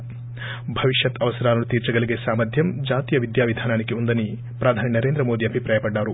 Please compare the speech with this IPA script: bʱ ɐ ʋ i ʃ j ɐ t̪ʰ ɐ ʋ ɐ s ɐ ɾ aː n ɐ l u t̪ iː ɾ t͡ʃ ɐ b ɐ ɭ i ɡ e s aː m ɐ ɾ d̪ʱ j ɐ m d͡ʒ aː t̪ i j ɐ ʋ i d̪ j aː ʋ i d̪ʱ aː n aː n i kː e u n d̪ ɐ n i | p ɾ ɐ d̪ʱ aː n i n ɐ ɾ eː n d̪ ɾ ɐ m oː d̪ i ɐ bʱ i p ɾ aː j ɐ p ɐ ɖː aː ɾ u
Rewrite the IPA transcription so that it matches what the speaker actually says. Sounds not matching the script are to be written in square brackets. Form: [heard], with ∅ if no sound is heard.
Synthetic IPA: bʱ ɐ ʋ i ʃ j ɐ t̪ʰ ɐ ʋ ɐ s ɐ ɾ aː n ɐ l u t̪ iː ɾ t͡ʃ ɐ [ɡ] ɐ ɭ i ɡ e s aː m ɐ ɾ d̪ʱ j ɐ m d͡ʒ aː t̪ i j ɐ ʋ i d̪ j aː ʋ i d̪ʱ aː n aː n i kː e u n d̪ ɐ n i | p ɾ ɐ d̪ʱ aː n i n ɐ ɾ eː n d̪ ɾ ɐ m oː d̪ i ɐ bʱ i p ɾ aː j ɐ p ɐ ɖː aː ɾ u

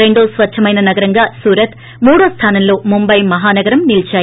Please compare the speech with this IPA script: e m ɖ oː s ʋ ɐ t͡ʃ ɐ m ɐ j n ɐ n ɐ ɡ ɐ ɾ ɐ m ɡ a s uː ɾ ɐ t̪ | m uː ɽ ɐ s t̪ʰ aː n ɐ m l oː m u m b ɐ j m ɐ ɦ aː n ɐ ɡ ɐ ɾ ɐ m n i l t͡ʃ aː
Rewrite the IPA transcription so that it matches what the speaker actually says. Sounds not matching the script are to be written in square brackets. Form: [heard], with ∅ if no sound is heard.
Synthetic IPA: e [ɳ] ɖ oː s ʋ ɐ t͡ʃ ɐ m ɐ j n ɐ n ɐ ɡ ɐ ɾ ɐ [ŋ] ɡ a s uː ɾ ɐ t̪ | m uː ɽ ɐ s t̪ʰ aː n ɐ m l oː m u m b ɐ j m ɐ ɦ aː n ɐ ɡ ɐ ɾ ɐ m n i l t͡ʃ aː

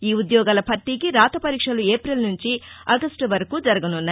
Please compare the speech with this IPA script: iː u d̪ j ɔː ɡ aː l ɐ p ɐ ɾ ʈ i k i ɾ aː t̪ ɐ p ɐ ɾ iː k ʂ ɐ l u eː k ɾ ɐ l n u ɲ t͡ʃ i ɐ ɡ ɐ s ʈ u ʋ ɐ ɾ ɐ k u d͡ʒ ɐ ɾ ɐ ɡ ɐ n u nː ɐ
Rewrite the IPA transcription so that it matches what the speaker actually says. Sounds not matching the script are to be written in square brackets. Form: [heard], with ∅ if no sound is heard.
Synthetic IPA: iː u d̪ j ɔː ɡ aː l ɐ p ɐ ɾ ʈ i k i ɾ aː t̪ ɐ p ɐ ɾ iː k ʂ ɐ l u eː [p] ɾ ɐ l n u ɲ t͡ʃ i ɐ ɡ ɐ s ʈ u ʋ ɐ ɾ ɐ k u d͡ʒ ɐ ɾ ɐ ɡ ɐ n u nː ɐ

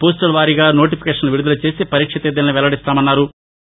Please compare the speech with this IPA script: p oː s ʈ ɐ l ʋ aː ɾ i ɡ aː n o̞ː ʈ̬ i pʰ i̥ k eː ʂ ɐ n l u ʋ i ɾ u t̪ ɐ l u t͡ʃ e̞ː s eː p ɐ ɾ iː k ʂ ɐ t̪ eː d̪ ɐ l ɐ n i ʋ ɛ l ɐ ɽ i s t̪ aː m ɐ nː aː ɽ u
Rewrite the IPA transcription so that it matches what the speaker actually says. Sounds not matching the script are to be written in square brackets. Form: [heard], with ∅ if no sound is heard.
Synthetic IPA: p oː s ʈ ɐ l ʋ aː ɾ i ɡ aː n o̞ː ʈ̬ i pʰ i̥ k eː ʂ ɐ n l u ʋ i ɾ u [d̪] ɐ l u t͡ʃ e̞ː s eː p ɐ ɾ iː k ʂ ɐ t̪ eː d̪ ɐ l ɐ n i ʋ ɛ l ɐ ɽ i s t̪ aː m ɐ nː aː [ɾ] u

